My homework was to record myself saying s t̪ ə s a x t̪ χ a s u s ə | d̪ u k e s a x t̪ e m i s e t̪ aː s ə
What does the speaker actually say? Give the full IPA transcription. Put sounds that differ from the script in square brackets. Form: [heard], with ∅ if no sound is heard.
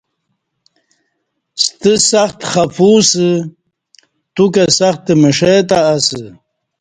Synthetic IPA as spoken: s t̪ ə s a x t̪ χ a [f] u s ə | [t̪] u k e s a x t̪ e m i [ʂ] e t̪ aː s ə